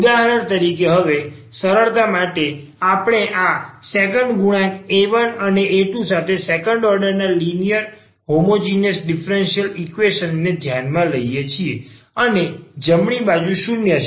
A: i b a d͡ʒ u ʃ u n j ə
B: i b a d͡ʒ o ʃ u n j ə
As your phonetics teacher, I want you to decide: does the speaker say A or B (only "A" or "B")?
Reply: A